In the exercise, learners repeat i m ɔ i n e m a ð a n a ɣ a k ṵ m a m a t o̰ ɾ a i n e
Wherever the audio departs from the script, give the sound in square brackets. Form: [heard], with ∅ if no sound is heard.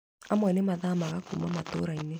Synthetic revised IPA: [a] m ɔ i n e m a ð a [m] a ɣ a k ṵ m a m a t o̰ ɾ a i n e